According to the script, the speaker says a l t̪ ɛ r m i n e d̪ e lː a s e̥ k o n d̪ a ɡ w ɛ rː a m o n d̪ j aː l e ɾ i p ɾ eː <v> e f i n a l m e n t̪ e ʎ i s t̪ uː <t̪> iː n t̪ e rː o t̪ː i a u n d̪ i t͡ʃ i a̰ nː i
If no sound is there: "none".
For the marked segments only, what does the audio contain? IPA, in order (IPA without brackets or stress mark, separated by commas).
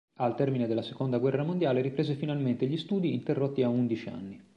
z, d̪